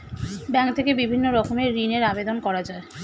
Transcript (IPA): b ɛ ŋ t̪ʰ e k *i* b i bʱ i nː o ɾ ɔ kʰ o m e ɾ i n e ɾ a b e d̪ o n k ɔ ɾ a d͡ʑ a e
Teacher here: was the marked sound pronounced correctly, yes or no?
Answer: no